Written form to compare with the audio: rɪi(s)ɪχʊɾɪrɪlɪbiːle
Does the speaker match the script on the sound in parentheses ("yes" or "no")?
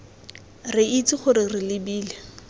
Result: no